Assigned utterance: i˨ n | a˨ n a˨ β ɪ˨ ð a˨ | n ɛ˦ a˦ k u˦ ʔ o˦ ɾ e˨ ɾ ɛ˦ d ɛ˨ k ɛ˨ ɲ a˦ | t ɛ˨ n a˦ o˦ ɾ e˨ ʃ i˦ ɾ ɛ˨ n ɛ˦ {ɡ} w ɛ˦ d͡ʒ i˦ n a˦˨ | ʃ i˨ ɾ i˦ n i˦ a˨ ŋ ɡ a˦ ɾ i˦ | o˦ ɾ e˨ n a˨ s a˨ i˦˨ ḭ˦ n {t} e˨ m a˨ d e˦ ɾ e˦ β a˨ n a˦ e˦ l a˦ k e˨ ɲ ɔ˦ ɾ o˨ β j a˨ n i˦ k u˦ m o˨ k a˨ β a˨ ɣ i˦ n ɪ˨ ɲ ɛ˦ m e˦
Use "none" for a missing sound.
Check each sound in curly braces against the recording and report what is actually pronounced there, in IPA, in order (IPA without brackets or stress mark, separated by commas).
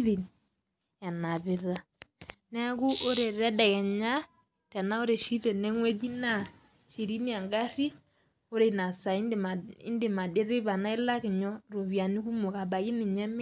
ŋ, d